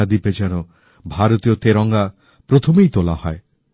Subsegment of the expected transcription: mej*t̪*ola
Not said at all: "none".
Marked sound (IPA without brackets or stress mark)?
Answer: t̪